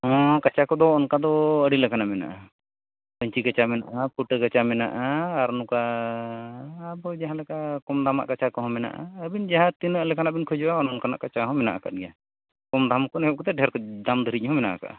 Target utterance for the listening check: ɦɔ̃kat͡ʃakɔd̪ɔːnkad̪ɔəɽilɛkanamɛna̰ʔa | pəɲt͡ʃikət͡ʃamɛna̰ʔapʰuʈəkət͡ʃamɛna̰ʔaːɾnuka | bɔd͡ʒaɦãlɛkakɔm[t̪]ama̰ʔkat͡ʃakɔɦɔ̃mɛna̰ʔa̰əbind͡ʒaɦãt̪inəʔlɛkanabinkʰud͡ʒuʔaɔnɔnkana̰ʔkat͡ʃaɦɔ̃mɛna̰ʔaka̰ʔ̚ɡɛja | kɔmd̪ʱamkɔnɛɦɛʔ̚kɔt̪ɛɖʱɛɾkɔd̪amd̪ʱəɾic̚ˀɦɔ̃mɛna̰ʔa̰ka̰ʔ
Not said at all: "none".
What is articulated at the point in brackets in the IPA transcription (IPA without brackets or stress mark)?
d̪